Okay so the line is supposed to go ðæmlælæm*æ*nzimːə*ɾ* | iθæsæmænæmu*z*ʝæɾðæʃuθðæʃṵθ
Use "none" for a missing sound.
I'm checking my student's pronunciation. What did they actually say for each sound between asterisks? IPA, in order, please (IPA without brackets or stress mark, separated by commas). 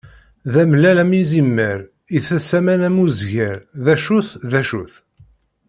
i, ɾ, z